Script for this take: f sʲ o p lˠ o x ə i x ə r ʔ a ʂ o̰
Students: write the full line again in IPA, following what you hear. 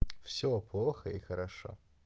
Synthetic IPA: f sʲ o p lˠ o x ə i x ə ɾ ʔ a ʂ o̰